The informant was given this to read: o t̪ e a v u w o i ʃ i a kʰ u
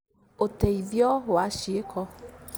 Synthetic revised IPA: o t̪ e i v ɔ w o a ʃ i e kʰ ɔ